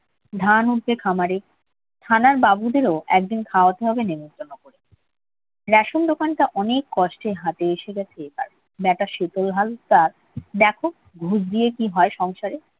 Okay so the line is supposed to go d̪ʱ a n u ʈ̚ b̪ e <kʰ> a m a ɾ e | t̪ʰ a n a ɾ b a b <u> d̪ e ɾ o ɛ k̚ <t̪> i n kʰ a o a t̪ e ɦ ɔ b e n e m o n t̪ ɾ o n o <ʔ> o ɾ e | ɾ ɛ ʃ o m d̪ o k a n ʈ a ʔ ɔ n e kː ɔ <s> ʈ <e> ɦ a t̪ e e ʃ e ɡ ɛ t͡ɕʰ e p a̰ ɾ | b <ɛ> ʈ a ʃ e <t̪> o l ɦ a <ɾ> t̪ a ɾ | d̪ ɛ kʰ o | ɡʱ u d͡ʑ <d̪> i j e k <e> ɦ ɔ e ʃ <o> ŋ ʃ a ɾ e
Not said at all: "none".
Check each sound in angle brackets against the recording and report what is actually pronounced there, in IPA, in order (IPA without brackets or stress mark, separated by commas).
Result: kʰ, u, d̪, k, ʃ, e, ɛ, t̪, l, d̪, i, ɔ